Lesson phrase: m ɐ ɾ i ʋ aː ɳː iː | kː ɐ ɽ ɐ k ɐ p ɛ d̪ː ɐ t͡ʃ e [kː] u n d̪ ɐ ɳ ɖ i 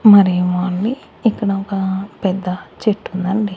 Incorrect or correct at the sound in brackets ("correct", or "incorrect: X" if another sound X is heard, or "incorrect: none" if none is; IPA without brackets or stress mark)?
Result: incorrect: ʈː